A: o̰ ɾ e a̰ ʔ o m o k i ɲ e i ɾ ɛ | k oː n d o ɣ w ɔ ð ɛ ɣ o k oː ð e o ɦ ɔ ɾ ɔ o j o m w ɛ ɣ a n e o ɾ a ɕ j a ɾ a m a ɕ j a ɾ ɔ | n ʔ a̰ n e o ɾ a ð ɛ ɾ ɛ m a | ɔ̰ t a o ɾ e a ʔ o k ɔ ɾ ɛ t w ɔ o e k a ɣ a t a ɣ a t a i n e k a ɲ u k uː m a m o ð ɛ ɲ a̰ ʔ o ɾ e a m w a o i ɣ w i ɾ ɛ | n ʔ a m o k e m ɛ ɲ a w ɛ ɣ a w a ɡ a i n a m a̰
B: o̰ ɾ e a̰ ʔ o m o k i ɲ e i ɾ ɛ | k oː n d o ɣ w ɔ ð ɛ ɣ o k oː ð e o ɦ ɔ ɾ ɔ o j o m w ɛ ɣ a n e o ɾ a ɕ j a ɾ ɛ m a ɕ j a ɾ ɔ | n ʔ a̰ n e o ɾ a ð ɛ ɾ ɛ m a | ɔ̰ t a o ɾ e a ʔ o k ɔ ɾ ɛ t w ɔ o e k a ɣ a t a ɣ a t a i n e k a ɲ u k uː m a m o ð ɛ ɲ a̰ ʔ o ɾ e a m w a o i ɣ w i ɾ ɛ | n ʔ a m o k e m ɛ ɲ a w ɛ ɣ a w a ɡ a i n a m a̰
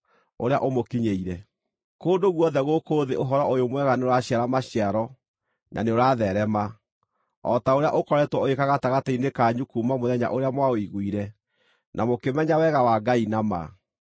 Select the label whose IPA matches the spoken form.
A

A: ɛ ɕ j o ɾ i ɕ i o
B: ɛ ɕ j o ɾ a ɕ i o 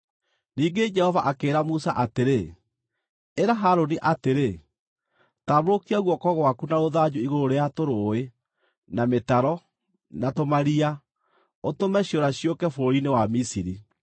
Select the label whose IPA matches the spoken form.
B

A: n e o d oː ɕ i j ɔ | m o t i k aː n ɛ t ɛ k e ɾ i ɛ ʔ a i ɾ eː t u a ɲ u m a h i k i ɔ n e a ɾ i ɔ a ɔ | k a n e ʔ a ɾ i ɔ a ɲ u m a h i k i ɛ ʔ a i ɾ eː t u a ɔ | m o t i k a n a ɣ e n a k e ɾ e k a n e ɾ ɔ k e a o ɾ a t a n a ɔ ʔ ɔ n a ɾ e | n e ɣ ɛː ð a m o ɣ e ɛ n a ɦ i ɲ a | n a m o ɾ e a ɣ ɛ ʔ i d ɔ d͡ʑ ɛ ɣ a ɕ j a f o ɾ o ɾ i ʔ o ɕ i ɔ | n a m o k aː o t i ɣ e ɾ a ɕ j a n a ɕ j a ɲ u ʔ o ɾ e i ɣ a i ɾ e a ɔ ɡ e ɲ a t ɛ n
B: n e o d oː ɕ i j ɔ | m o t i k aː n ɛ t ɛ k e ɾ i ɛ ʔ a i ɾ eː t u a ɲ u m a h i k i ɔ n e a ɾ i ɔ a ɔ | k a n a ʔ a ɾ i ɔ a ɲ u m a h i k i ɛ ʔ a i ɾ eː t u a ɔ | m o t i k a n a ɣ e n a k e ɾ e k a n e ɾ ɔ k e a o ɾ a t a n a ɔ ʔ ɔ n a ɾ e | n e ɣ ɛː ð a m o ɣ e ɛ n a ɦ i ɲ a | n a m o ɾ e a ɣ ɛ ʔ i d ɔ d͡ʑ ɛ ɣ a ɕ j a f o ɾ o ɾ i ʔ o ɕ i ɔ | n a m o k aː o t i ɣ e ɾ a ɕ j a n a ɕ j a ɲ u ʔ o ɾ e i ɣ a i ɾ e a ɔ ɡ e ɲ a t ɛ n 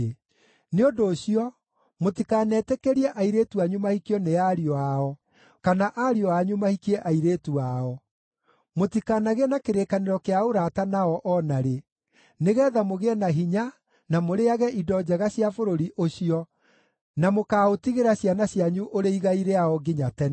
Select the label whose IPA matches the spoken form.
B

